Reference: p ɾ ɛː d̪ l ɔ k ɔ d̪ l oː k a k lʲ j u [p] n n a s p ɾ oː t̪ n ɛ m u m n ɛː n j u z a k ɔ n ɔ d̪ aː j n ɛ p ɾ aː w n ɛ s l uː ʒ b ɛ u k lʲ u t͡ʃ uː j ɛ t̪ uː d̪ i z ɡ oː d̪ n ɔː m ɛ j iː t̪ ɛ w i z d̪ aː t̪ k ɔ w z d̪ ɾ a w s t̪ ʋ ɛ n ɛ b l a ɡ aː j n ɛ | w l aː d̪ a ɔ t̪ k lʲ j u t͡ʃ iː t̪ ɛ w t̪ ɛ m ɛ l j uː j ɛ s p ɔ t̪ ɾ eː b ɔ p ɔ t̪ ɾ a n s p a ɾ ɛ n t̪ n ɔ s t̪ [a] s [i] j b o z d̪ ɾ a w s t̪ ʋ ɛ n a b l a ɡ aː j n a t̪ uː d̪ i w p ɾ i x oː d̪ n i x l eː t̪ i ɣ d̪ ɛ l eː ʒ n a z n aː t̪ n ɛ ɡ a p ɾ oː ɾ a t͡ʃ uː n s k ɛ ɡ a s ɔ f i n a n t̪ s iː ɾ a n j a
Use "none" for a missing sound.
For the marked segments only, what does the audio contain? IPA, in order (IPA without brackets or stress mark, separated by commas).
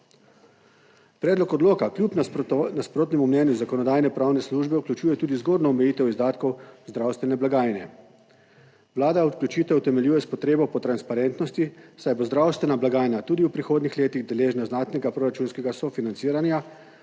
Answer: p, i, a